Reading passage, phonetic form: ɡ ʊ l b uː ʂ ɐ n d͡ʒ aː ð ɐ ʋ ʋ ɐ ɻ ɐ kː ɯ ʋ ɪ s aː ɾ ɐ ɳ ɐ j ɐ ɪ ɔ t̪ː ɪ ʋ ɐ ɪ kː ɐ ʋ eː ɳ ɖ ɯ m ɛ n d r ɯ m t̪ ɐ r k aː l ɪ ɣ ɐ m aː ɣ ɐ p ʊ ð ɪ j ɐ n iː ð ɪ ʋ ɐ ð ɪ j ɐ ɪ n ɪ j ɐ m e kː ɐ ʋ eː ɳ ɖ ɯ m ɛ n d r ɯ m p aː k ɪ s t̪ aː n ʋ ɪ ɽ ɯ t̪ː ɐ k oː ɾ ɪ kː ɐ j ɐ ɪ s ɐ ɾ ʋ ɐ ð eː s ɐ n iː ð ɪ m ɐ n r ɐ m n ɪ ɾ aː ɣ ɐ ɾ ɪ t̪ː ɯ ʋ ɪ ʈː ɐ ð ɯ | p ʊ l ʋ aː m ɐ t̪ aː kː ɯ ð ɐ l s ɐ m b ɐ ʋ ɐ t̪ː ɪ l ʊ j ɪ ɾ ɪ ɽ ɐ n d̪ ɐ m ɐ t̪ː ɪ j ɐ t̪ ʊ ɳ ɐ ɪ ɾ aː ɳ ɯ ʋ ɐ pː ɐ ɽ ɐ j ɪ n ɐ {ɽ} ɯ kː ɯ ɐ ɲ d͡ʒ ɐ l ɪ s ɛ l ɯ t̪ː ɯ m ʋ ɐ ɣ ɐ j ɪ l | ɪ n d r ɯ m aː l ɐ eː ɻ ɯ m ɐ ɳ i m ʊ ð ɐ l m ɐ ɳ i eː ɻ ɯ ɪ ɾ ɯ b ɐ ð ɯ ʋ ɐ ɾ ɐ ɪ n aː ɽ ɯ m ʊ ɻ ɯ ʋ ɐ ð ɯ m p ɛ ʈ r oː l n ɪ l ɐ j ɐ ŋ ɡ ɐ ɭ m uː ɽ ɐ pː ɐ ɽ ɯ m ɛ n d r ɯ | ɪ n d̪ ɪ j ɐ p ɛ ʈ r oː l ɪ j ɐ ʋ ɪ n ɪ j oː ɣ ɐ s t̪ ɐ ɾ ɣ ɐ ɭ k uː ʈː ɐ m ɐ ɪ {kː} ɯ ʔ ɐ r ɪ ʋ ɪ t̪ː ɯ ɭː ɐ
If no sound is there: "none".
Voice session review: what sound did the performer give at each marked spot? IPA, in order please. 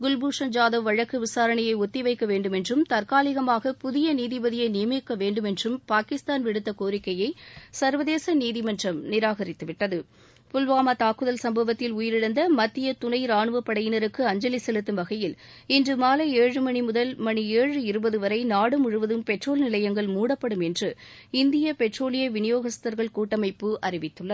ɾ, pː

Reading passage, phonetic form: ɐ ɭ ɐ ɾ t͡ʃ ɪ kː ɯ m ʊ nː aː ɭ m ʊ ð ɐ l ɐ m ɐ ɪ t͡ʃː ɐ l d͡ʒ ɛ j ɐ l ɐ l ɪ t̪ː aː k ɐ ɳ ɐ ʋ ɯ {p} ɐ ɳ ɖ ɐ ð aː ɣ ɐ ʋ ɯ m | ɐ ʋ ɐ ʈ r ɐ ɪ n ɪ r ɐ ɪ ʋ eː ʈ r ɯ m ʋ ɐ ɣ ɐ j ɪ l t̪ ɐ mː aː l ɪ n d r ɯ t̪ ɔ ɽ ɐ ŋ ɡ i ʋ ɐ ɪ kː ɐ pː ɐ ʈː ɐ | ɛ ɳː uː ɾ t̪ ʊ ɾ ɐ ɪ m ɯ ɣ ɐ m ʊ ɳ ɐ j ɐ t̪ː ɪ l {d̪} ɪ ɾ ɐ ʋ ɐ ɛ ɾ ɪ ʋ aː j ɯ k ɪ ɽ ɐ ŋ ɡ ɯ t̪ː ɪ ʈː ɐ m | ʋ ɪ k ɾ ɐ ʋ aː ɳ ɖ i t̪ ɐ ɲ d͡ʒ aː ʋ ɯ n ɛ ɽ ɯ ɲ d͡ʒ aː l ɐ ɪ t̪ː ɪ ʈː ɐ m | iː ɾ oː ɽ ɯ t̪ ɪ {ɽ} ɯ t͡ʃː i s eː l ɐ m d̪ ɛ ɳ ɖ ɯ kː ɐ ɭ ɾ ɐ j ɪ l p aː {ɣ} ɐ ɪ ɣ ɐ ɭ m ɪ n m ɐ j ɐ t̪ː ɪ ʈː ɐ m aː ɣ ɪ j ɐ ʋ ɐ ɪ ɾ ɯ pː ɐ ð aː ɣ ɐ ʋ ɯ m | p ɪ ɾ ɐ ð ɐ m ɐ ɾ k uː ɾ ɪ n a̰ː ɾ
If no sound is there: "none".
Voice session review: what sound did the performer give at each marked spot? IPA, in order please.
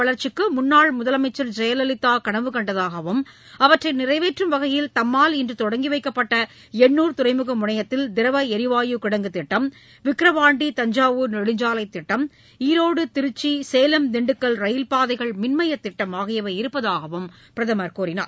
k, d̪, ɾ, ð

